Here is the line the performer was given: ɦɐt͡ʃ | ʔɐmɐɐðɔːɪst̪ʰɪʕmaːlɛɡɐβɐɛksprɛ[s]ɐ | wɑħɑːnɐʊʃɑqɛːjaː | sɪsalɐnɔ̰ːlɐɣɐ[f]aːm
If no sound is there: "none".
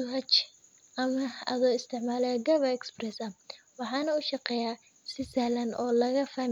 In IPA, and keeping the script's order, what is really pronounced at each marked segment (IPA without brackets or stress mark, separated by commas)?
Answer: s, f